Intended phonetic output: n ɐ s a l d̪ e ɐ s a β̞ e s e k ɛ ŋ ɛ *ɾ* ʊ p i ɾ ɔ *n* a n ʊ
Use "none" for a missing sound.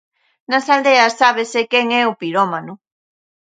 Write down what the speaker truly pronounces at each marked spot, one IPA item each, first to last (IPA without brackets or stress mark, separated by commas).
none, m